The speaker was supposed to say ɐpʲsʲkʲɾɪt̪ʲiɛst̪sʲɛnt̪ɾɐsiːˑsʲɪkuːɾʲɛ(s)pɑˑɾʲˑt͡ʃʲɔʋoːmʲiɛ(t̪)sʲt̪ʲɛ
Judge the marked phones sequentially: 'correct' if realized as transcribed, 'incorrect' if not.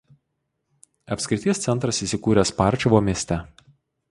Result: correct, incorrect

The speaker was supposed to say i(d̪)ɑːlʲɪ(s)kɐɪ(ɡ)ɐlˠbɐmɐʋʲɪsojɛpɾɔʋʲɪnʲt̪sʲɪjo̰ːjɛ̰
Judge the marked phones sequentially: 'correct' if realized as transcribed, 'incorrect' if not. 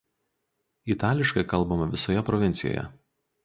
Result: incorrect, incorrect, incorrect

